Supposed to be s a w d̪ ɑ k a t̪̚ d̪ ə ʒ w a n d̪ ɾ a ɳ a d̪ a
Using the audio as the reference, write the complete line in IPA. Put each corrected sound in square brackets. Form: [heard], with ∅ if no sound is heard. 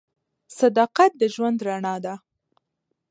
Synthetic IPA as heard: s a [∅] d̪ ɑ [q] a t̪̚ d̪ ə ʒ w a n d̪ ɾ a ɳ [ɑ] d̪ a

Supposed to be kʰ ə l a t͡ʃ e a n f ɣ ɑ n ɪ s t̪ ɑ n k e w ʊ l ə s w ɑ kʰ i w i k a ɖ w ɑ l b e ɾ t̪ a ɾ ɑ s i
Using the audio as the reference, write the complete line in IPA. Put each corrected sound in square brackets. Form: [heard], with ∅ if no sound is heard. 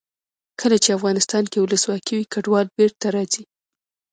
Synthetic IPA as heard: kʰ ə l a t͡ʃ e a [∅] f ɣ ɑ n ɪ s t̪ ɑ n k e w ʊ l ə s w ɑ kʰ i w i k a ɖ w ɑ l b e ɾ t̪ a ɾ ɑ [z] i

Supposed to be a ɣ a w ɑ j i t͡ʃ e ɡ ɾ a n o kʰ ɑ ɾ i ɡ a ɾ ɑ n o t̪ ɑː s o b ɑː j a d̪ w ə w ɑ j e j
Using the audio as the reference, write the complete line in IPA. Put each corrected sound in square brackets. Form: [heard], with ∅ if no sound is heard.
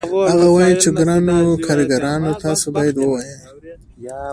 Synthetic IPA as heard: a ɣ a w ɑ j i t͡ʃ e ɡ ɾ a n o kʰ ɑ ɾ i ɡ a ɾ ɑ n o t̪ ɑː s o b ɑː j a d̪ w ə w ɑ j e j

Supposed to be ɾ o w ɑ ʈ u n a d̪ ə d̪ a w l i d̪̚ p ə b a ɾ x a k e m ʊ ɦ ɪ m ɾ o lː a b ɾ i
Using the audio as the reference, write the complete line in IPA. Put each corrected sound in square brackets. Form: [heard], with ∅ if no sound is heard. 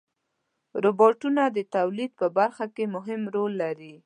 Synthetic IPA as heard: ɾ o [b] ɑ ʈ u n a d̪ ə [t̪] a w l i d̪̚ p ə b a ɾ x a k e m ʊ ɦ ɪ m ɾ o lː a [∅] ɾ i

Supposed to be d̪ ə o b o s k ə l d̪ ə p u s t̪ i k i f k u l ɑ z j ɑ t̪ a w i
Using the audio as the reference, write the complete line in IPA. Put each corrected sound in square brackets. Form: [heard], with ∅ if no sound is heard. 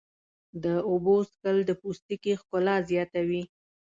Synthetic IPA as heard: d̪ ə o b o s k ə l d̪ ə p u s t̪ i k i [x] k [ʊ] l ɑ z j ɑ t̪ a w i

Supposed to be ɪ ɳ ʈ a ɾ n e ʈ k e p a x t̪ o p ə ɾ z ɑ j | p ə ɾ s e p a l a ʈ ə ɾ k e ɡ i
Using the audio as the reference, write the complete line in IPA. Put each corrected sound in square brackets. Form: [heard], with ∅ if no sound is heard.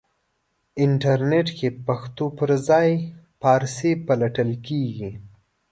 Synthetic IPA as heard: ɪ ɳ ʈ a ɾ n e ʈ k e p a x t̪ o p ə ɾ z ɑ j | p [ɑ] ɾ s e p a l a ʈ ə [l] k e ɡ i

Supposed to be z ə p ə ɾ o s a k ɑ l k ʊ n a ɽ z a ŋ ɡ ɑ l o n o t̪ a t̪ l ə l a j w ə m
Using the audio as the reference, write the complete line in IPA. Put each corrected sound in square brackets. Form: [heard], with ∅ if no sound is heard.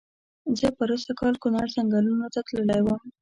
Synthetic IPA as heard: z ə p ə ɾ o s a k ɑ l k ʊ n [ɑ] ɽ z a ŋ ɡ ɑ l [u] n o t̪ a t̪ l ə l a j w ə m

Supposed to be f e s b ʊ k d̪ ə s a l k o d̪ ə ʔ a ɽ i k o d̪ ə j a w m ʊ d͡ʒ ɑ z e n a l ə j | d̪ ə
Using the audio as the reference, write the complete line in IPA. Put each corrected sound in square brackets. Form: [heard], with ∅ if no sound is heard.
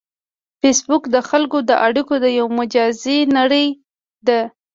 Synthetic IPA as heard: f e s b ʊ k d̪ ə [x] a l k o d̪ ə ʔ a ɽ i k o d̪ ə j a w m ʊ d͡ʒ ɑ z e n a [ɽ] ə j | d̪ ə

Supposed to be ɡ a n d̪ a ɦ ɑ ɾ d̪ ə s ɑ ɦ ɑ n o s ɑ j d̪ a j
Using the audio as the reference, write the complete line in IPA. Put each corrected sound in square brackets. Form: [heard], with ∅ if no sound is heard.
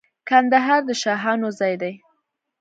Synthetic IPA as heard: [k] a n d̪ a ɦ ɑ ɾ d̪ ə [ʃ] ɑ ɦ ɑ n o [z] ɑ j d̪ a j

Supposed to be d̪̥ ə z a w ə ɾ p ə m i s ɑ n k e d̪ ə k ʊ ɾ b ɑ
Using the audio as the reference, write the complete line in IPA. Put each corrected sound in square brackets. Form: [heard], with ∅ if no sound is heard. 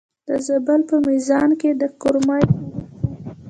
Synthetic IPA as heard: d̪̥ ə z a [b] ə [l] p ə m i [z] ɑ n k e d̪ ə k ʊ ɾ [m] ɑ

